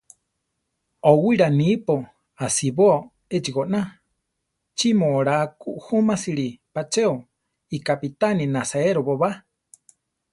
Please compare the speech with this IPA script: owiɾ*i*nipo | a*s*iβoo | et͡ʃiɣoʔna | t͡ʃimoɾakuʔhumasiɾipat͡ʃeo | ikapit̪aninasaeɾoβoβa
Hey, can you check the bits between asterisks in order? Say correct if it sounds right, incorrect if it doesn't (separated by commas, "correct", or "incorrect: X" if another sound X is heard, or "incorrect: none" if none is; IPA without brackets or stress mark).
incorrect: a, correct